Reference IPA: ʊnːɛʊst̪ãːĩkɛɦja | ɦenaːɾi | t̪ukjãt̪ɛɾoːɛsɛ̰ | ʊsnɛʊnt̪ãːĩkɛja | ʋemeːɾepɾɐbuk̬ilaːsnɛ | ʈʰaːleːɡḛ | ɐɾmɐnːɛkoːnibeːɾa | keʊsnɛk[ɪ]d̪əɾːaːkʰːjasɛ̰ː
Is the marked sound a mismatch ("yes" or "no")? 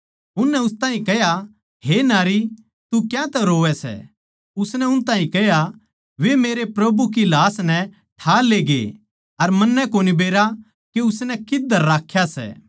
no